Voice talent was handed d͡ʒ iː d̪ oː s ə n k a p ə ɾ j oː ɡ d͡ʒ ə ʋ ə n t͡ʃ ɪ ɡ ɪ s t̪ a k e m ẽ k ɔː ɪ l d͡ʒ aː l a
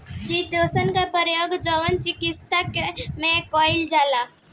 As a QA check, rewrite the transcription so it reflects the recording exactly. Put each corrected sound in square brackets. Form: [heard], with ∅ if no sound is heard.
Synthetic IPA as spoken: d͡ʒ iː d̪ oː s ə n k a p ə ɾ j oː ɡ d͡ʒ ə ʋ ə n t͡ʃ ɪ [k] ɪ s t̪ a k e m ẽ k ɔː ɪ l d͡ʒ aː l a